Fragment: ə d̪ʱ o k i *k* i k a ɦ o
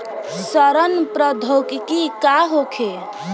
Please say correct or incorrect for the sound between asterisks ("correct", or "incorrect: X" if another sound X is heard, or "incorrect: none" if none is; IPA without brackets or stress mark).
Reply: correct